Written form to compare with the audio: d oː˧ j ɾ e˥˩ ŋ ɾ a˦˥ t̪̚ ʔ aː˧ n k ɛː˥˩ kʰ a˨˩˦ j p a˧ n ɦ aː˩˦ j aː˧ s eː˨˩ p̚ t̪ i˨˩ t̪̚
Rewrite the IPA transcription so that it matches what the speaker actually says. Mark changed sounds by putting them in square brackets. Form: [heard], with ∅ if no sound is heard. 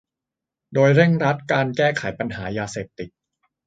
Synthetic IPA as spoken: d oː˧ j ɾ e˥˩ ŋ ɾ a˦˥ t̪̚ [k] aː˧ n k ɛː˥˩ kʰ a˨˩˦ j p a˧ n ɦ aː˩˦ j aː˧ s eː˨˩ p̚ t̪ i˨˩ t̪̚